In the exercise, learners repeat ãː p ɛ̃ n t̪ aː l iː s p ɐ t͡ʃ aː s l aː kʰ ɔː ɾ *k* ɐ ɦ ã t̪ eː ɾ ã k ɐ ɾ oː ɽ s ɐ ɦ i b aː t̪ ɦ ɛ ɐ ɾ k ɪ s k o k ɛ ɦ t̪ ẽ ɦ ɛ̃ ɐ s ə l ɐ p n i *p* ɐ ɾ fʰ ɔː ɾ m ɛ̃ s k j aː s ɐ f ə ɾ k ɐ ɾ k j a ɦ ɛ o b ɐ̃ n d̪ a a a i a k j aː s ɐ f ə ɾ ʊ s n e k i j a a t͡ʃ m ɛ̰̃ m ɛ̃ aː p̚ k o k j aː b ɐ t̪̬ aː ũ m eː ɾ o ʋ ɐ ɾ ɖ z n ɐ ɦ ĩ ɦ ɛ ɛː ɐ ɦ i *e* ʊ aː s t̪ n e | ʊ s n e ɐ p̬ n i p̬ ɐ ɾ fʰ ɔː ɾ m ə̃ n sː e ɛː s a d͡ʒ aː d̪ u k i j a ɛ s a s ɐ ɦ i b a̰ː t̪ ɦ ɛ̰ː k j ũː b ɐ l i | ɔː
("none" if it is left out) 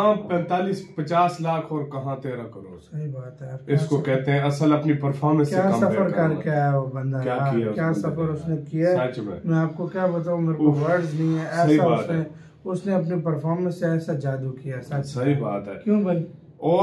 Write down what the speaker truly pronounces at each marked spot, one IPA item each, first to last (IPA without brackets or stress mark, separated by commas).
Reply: k, p, a